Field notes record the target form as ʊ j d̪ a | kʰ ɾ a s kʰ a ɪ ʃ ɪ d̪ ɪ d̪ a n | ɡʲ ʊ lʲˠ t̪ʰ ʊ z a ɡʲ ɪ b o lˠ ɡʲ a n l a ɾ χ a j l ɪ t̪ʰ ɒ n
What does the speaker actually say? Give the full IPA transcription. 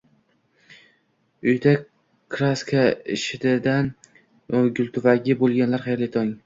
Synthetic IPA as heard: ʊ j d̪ a | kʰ ɾ a s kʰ a ɪ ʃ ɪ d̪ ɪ d̪ a n | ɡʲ ʊ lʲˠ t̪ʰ ʊ v a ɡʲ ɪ b o lˠ ɡʲ a n l a ɾ χ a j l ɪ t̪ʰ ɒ ŋ

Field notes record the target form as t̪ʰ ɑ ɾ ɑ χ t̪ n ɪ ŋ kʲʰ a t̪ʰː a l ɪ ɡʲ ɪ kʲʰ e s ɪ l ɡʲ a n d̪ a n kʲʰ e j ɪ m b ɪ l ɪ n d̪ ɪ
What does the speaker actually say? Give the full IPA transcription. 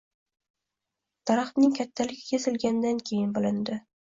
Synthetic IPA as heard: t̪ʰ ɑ ɾ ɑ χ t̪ n ɪ ŋ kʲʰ a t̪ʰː a l ɪ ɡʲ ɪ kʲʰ e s ɪ l ɡʲ a n d̪ a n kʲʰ e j ɪ n b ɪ l ɪ n d̪ ɪ

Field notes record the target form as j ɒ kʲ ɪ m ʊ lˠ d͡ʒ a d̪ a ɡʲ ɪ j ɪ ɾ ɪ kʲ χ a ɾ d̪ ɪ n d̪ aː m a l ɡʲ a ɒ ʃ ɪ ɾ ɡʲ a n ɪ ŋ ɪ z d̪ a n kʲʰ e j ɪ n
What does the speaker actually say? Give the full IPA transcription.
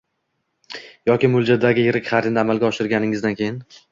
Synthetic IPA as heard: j ɒ kʲ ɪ m ʊ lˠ d͡ʒ a d̪ a ɡʲ ɪ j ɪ ɾ ɪ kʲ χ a ɾ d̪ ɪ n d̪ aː m a l ɡʲ a ɒ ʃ ɪ ɾ ɡʲ a n ɪ ŋ ɪ z d̪ a n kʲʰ e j ɪ n

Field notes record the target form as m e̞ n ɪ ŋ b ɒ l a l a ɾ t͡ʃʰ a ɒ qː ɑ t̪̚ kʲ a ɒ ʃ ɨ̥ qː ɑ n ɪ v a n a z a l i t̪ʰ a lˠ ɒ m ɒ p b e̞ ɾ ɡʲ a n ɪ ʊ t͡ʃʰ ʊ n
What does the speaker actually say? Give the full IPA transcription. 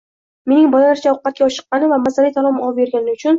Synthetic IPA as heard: m e̞ n ɪ ŋ b ɒ l a l a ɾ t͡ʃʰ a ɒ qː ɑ t̪̚ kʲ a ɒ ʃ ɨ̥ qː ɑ n ɪ v a m a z a l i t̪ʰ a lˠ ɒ m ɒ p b e̞ ɾ ɡʲ a n ɪ ʊ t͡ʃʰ ʊ n

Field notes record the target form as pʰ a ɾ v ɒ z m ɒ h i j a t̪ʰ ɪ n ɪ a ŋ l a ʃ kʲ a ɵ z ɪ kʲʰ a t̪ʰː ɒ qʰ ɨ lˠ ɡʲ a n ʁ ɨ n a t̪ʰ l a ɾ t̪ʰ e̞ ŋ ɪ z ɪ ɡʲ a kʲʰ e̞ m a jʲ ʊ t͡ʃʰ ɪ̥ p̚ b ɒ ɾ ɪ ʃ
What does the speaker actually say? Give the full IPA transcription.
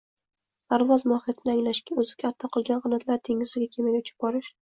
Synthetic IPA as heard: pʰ a ɾ v ɒ z m ɒ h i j a t̪ʰ ɪ n ɪ a ŋ l a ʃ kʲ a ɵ z ɪ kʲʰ a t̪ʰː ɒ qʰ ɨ lˠ ɡʲ a n ʁ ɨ n a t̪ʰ l a ɾ t̪ʰ e̞ ŋ ɪ z ɪ ɡʲ a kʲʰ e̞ m a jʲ ʊ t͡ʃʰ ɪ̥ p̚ b ɒ ɾ ɪ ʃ

